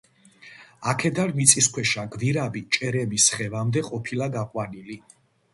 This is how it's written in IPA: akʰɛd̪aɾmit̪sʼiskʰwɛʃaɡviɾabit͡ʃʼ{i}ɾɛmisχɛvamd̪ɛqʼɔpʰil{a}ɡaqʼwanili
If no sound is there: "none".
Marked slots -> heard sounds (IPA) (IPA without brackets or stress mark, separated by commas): ɛ, a